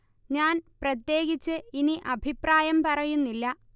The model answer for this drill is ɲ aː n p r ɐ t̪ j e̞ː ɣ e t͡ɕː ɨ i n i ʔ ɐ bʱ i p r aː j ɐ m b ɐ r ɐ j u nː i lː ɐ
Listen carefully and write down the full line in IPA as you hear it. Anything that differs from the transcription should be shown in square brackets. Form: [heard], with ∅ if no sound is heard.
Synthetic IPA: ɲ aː n p r ɐ t̪ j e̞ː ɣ [i] t͡ɕː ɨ i n i ʔ ɐ bʱ i p r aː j ɐ m [p] ɐ r ɐ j u nː i lː ɐ